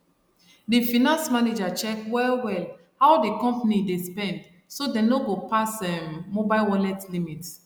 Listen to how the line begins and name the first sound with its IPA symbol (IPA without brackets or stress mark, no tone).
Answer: d